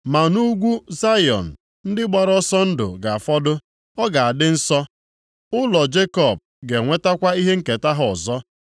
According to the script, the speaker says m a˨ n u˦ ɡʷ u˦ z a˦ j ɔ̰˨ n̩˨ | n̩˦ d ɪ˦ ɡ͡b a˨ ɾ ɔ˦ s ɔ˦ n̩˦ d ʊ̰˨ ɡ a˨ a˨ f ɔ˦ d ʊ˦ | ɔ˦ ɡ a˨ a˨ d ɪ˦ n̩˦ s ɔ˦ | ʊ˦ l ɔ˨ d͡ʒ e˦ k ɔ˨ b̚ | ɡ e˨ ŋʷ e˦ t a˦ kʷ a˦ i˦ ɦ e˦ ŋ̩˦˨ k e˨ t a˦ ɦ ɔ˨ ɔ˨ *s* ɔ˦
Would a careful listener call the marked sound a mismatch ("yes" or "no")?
yes